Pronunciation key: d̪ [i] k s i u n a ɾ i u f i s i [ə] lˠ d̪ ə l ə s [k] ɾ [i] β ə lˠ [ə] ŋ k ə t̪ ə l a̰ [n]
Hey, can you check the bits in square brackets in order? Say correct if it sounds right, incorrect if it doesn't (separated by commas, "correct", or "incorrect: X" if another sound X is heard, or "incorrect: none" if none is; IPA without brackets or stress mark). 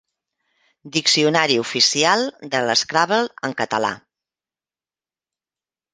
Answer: correct, incorrect: a, correct, incorrect: a, correct, incorrect: none